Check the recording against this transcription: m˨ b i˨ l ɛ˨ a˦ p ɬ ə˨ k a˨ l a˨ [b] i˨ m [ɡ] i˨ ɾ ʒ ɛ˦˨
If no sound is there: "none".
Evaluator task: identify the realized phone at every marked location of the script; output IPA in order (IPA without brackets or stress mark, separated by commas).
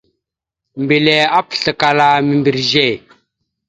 m, b